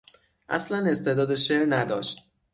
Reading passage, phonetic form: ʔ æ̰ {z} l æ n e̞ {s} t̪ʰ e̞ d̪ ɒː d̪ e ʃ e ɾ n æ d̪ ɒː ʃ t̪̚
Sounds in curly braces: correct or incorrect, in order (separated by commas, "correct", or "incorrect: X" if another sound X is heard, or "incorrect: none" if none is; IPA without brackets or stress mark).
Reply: incorrect: s, correct